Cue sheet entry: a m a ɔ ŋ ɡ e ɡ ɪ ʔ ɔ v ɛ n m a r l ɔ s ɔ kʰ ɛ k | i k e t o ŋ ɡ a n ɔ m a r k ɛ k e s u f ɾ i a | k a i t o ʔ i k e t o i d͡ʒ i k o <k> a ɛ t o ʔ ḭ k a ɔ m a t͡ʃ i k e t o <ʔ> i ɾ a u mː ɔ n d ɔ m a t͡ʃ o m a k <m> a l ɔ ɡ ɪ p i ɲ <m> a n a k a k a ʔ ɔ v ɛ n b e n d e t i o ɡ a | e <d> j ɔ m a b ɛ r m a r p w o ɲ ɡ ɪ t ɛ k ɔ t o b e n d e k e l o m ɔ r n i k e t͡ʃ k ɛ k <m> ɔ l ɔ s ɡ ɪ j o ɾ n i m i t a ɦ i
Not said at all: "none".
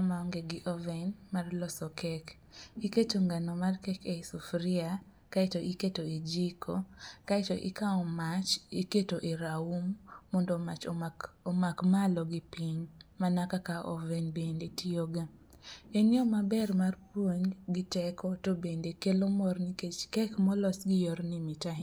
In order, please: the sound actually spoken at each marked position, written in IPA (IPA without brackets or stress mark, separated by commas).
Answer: k, ʔ, m, m, n, m